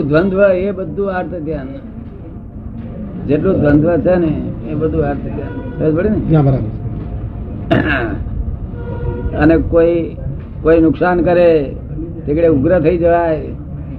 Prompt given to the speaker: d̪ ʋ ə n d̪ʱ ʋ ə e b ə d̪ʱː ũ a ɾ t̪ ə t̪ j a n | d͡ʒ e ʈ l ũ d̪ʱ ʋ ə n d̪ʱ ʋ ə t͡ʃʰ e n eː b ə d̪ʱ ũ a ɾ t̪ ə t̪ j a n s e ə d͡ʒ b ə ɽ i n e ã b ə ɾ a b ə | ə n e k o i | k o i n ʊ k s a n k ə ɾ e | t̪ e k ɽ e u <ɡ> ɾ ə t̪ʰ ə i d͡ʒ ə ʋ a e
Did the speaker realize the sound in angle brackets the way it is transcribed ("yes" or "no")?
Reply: yes